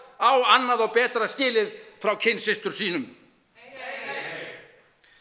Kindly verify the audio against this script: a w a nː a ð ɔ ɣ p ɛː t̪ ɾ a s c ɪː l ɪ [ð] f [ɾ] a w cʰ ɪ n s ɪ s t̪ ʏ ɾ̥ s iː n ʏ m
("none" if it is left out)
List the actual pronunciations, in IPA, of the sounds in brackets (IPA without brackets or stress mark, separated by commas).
ð, ɾ